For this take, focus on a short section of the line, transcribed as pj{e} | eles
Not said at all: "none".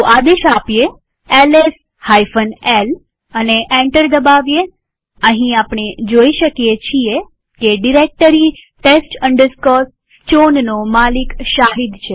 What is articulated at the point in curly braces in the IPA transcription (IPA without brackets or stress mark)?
e